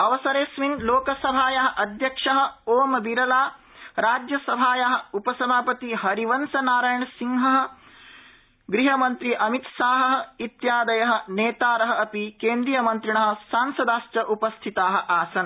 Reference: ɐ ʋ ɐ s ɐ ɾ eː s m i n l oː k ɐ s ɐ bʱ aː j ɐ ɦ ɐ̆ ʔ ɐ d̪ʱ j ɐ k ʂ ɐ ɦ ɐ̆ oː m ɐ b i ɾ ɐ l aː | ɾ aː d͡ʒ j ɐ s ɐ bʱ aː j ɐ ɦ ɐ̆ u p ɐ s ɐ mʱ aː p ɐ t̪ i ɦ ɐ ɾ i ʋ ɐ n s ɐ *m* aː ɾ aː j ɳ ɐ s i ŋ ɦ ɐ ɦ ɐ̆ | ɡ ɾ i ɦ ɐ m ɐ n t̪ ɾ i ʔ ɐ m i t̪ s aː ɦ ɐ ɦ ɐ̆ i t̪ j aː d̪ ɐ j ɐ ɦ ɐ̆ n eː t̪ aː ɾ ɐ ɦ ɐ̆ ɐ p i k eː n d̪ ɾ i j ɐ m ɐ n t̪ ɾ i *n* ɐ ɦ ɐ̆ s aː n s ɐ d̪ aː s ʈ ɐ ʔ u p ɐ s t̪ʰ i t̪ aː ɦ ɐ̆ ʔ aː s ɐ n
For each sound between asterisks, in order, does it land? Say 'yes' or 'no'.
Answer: no, no

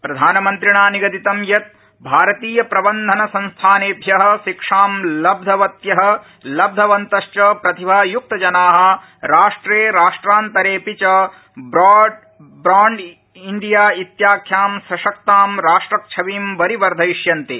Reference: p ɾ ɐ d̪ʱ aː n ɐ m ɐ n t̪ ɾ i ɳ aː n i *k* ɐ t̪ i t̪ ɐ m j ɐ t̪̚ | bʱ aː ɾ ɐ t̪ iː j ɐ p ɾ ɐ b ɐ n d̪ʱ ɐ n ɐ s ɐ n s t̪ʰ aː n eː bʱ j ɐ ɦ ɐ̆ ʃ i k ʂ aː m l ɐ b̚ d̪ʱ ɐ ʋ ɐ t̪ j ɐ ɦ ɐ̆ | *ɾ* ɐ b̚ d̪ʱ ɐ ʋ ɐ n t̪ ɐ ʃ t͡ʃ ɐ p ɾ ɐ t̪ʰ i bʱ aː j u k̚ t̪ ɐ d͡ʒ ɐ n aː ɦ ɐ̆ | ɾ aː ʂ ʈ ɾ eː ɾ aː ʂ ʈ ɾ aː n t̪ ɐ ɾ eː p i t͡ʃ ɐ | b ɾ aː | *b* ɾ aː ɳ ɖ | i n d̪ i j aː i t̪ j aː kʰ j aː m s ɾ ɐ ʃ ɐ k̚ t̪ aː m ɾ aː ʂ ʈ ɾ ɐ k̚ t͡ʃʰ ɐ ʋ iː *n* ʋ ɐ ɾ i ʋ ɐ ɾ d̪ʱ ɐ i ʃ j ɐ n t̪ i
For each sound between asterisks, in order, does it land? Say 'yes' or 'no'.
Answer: no, no, yes, no

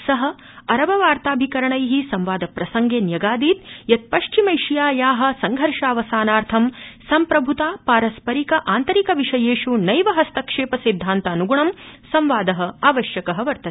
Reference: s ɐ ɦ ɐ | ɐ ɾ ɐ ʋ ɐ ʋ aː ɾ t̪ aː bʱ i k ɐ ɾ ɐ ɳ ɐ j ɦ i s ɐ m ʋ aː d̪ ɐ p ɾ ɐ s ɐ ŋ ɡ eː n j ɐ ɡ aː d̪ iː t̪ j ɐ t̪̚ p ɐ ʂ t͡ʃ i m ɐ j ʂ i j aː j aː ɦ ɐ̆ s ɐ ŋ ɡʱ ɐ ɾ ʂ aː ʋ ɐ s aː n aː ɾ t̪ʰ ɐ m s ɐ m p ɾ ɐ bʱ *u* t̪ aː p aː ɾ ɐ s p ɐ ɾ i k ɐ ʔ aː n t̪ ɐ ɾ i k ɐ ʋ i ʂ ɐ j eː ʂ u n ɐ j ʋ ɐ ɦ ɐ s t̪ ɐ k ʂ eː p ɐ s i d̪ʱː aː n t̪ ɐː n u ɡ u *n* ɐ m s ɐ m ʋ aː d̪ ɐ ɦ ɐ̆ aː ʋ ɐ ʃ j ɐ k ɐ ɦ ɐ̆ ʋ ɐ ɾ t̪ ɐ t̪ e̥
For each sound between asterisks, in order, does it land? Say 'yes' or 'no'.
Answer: yes, no

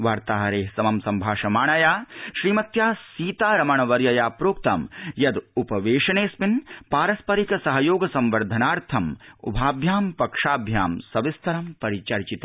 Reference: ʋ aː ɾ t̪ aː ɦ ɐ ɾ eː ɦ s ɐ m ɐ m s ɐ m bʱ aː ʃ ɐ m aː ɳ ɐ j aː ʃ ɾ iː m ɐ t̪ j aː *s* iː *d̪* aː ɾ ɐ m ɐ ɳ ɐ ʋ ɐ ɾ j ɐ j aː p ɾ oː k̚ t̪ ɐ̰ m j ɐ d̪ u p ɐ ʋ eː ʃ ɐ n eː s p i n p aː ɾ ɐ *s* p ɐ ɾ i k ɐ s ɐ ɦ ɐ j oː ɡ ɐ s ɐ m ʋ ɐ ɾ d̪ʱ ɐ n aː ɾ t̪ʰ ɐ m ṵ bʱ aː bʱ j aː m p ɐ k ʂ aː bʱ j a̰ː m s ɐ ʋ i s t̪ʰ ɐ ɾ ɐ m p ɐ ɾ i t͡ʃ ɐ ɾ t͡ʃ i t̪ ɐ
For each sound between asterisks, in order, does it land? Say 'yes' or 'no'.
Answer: yes, no, yes

